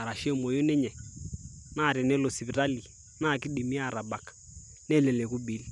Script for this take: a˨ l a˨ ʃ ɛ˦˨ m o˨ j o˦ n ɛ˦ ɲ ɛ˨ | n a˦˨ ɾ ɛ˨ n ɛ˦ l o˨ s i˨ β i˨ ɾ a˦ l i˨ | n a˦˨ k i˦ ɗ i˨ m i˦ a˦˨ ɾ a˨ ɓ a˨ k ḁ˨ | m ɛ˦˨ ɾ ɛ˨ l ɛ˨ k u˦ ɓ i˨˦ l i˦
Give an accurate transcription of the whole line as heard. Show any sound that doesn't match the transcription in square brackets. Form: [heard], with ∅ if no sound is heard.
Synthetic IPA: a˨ [ɾ] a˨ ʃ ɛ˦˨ m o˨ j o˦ n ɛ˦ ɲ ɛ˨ | n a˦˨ ɾ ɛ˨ n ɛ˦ l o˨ s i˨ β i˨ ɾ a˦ l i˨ | n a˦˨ k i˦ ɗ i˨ m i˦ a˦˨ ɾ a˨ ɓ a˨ k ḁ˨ | [n] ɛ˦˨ [l] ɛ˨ l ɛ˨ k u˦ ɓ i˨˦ l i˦